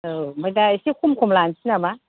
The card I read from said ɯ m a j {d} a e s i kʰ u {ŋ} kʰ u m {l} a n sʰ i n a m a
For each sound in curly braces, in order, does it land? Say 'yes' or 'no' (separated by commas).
yes, no, yes